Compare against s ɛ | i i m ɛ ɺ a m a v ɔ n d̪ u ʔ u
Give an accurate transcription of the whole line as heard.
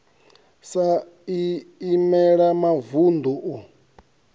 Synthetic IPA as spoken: s a | i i m ɛ ɺ a m a v u n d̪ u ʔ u

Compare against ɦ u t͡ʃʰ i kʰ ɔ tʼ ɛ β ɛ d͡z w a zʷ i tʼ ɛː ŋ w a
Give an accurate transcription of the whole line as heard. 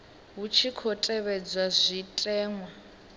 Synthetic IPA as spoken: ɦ u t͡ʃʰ i kʰ ɔ tʼ ɛ β ɛ d͡z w a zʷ i tʼ ɛː ŋ w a

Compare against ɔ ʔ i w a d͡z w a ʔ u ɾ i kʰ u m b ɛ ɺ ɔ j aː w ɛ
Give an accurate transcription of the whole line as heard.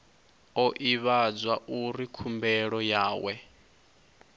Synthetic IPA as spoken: ɔ ʔ i β a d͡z w a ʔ u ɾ i kʰ u m b ɛ ɺ ɔ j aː w ɛ

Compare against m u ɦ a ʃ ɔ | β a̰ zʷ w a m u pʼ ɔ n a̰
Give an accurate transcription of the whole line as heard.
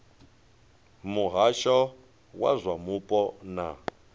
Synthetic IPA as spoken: m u ɦ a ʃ ɔ | w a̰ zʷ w a m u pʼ ɔ n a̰

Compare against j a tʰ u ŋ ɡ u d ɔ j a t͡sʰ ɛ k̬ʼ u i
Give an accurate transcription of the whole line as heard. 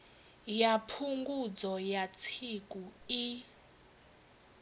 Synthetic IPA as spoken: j a pʰ u ŋ ɡ u d͡z ɔ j a t͡sʰ i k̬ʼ u i

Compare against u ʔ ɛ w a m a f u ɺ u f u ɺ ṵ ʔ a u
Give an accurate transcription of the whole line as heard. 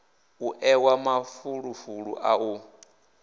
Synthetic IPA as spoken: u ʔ ɛ w a m a f u ɺ u f u ɺ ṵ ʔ a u

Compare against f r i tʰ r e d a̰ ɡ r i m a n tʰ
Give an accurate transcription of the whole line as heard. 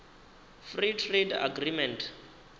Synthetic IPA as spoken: f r i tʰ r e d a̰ ɡ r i m ɛ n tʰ

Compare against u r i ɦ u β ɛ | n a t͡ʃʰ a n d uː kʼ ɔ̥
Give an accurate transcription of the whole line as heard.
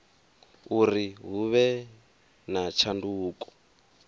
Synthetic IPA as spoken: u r i ɦ u β ɛ | n a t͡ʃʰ a n d uː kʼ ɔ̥

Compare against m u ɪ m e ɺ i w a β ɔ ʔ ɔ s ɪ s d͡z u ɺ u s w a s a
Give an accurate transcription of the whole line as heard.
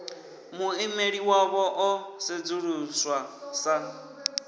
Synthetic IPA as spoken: m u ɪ m e ɺ i w a β ɔ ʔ ɔ s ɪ d͡z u ɺ u s w a s a

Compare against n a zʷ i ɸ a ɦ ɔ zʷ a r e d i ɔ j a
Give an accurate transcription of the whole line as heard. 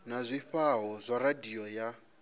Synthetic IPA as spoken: n a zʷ i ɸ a ɦ ɔ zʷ a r a d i ɔ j a

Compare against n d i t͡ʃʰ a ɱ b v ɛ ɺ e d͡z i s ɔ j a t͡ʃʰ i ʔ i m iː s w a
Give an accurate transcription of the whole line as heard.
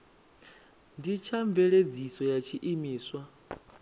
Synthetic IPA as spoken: n d i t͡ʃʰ a ɱ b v ɛ ɺ e d͡z i s ɔ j a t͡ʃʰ i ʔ i m iː s w a

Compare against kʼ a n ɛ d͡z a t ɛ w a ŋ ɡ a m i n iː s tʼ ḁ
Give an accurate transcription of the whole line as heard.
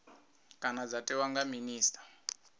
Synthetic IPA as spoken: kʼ a n a d͡z a t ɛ w a ŋ ɡ a m i n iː s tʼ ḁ

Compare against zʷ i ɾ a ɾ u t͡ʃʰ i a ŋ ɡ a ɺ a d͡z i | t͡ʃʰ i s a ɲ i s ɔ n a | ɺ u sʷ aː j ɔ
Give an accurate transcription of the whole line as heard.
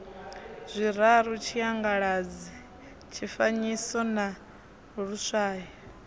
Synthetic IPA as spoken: zʷ i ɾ a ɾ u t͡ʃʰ i a ŋ ɡ a ɺ a d͡z i | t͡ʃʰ i f a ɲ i s ɔ n a | ɺ u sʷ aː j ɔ

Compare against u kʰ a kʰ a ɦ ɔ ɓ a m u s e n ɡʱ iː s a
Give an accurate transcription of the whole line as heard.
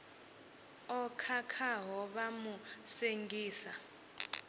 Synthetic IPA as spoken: ɔ kʰ a kʰ a ɦ ɔ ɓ a m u s e ŋ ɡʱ iː s a

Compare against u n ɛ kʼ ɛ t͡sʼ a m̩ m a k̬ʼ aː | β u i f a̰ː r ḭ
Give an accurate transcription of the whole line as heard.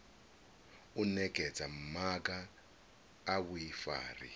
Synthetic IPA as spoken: u n ɛ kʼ ɛ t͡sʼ a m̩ m a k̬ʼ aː | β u i f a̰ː r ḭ

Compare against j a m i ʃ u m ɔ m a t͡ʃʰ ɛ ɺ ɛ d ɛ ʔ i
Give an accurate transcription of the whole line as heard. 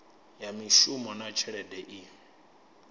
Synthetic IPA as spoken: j a m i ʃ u m ɔ n a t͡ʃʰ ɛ ɺ ɛ d ɛ ʔ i

